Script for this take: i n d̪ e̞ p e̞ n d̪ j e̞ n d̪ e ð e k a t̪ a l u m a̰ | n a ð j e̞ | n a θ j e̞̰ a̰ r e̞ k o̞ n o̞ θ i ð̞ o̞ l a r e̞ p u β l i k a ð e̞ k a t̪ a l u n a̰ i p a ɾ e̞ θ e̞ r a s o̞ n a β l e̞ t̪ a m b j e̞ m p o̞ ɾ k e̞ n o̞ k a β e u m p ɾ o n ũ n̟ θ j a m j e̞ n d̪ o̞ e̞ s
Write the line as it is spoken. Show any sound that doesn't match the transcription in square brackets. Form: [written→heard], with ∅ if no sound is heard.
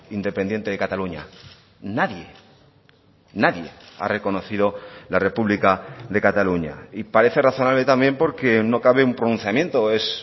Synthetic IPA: i n d̪ e̞ p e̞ n d̪ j e̞ n [d̪→t̪] e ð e k a t̪ a l u [m→ɲ] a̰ | n a ð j e̞ | n a [θ→ð] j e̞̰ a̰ r e̞ k o̞ n o̞ θ i ð̞ o̞ l a r e̞ p u β l i k a ð e̞ k a t̪ a l u [n→ɲ] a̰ i p a ɾ e̞ θ e̞ r a [s→θ] o̞ n a β l e̞ t̪ a m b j e̞ m p o̞ ɾ k e̞ n o̞ k a β e u m p ɾ o n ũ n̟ θ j a m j e̞ n [d̪→t̪] o̞ e̞ s